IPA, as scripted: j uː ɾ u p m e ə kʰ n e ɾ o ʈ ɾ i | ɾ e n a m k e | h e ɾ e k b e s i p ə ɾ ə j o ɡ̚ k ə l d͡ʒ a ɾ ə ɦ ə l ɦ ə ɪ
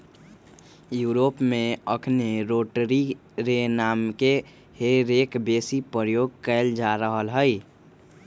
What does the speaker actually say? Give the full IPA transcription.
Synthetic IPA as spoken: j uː ɾ o p m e ə kʰ n e ɾ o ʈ ɾ i | ɾ e n a m k e | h e ɾ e k b e s i p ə ɾ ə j o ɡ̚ k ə l d͡ʒ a ɾ ə ɦ ə l ɦ ə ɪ